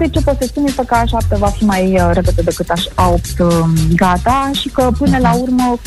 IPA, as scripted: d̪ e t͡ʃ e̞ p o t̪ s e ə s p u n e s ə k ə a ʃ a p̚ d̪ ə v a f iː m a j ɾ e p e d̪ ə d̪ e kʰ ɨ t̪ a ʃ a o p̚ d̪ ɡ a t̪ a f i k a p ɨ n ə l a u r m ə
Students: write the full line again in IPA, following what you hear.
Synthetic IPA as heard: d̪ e t͡ʃ e̞ p o t̪ s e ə s p u n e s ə k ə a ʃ a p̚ t̪ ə v a f i m a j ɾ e p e d̪ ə d̪ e k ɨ t̪ a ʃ a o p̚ t̪ ɡ a t̪ a ʃ i k ə p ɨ n ə l a u r m ə